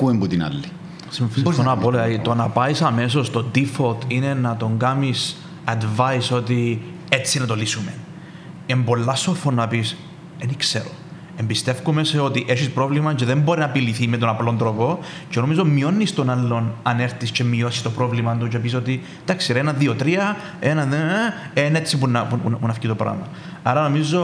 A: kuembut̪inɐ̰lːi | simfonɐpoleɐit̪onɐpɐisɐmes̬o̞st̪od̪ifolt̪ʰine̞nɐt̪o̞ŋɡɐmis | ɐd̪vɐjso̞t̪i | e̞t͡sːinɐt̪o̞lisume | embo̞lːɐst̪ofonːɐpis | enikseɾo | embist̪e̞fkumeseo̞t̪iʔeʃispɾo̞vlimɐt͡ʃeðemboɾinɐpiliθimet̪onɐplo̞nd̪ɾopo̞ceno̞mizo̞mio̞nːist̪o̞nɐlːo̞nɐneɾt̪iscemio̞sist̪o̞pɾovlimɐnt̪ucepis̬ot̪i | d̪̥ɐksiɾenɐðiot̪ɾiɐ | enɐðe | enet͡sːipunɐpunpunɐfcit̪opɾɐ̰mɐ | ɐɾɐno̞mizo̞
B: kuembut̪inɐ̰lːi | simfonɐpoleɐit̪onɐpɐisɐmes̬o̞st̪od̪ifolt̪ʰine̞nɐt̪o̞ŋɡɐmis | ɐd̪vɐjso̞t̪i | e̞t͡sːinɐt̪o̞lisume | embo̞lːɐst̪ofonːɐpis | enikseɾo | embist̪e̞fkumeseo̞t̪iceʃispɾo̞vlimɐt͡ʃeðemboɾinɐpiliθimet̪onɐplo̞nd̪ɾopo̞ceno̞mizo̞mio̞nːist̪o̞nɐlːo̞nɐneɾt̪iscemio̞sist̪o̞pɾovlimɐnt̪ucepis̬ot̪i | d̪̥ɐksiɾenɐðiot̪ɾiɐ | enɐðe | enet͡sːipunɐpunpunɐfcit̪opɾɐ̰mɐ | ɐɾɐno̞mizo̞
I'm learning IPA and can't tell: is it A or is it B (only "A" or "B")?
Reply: A